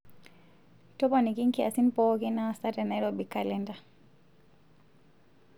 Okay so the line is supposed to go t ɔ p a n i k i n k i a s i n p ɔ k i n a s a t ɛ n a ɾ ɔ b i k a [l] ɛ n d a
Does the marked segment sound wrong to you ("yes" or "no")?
no